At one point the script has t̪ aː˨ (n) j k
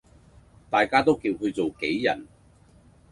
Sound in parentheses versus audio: incorrect: none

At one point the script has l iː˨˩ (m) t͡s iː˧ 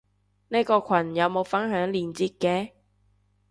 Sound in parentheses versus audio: incorrect: n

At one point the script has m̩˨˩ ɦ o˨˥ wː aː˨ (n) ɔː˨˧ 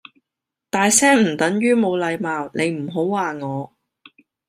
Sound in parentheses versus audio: incorrect: ŋ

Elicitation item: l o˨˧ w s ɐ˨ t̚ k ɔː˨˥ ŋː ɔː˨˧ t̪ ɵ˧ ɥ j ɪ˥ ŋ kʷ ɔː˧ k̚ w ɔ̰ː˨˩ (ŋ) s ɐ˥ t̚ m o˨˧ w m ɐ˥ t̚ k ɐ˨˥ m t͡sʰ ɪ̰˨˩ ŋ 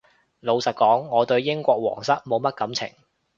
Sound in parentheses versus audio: correct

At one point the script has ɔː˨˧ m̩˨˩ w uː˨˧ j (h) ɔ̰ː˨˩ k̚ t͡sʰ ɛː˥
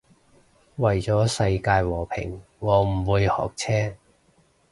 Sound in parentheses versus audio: correct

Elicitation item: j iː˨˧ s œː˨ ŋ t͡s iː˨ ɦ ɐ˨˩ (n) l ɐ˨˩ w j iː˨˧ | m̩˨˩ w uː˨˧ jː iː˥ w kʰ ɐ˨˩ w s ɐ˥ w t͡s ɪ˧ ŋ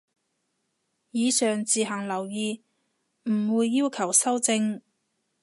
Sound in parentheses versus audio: incorrect: ŋ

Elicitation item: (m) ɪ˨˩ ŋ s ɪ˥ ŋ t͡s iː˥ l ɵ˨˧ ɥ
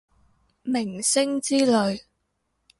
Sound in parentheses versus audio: correct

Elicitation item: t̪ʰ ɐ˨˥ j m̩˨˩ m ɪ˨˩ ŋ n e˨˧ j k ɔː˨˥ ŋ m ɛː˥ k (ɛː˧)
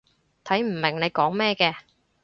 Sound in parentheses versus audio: correct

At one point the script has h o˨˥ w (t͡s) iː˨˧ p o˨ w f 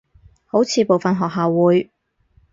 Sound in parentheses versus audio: incorrect: t͡sʰ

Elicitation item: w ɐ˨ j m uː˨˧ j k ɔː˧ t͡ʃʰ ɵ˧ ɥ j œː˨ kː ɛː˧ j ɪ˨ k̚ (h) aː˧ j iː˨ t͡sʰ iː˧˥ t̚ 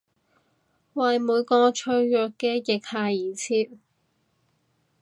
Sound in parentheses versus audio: correct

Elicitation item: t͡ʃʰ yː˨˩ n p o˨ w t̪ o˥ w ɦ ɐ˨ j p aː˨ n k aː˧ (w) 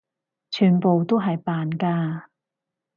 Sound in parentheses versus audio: incorrect: none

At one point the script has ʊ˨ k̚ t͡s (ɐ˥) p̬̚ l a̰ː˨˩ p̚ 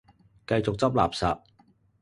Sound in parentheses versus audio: correct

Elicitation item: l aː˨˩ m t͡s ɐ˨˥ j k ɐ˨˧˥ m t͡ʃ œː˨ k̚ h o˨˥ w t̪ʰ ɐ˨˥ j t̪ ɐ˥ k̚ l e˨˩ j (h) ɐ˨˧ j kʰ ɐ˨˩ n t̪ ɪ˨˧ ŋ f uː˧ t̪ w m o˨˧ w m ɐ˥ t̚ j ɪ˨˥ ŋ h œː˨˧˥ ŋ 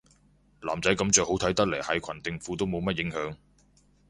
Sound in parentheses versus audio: correct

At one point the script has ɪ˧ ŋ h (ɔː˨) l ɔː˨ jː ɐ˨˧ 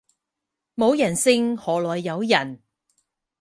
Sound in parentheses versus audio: correct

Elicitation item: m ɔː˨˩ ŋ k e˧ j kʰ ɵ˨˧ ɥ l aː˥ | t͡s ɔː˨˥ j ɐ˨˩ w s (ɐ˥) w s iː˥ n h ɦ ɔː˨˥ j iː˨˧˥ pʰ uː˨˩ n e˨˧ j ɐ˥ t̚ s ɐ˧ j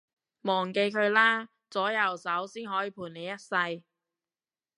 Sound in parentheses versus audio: incorrect: ɐ˨˥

